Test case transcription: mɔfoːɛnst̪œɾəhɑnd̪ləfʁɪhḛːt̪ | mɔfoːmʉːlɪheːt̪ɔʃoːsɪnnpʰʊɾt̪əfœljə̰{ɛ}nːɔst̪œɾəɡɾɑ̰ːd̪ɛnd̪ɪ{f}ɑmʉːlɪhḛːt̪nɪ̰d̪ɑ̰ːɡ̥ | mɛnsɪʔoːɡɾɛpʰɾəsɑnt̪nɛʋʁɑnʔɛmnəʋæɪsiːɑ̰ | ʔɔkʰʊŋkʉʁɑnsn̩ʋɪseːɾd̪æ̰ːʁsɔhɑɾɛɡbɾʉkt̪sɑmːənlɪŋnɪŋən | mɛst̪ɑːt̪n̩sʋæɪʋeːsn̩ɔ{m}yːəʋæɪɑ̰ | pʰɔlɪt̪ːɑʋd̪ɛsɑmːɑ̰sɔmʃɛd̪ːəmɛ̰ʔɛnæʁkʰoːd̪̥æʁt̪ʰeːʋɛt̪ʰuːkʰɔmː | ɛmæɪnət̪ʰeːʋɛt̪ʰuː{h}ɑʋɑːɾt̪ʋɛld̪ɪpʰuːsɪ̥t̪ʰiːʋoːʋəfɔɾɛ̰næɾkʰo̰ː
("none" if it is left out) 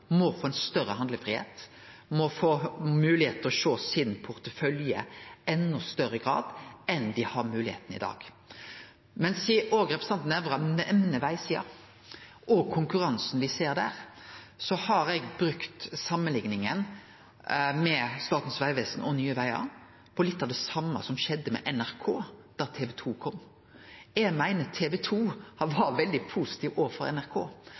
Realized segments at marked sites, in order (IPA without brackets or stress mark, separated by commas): ɛ, h, n, h